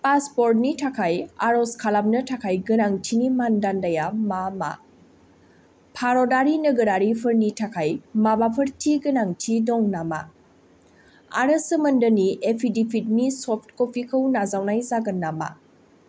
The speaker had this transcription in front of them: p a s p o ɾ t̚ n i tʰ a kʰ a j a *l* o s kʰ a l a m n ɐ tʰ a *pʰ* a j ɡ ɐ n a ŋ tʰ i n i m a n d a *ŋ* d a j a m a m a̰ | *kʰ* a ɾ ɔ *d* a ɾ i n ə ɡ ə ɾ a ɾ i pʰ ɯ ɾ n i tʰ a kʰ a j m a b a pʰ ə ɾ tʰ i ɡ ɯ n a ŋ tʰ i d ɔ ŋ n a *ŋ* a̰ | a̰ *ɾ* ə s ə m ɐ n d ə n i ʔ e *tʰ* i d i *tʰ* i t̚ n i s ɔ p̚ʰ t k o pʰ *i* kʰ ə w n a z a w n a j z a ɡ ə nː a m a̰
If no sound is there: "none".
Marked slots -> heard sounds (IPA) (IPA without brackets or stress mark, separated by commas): ɾ, kʰ, n, pʰ, d, m, ɾ, pʰ, pʰ, i